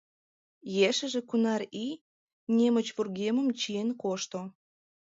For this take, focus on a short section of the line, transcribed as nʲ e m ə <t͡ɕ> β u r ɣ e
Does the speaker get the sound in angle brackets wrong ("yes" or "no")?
no